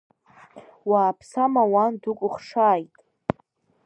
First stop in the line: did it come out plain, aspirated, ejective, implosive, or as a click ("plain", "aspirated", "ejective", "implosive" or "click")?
aspirated